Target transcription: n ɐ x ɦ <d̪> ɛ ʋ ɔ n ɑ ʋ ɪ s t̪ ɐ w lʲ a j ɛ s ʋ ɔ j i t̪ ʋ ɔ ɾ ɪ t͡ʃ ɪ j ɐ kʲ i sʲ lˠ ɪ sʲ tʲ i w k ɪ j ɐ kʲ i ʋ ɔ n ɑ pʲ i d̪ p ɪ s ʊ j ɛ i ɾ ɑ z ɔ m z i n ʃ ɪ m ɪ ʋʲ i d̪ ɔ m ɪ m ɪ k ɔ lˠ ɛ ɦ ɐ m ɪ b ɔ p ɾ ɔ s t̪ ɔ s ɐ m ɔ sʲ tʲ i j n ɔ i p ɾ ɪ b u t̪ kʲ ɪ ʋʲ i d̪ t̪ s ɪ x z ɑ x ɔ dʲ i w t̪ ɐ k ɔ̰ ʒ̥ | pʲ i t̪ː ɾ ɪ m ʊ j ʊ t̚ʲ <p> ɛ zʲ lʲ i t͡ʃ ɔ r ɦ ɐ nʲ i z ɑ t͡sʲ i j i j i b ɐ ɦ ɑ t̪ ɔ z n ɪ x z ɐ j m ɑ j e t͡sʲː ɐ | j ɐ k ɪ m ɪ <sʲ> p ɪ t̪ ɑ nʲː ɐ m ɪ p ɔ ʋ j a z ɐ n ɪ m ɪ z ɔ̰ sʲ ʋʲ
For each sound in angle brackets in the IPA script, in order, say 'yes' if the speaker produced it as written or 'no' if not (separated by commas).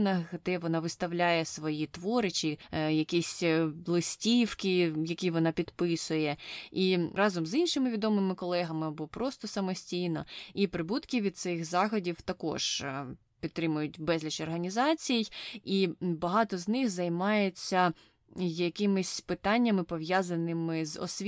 yes, no, yes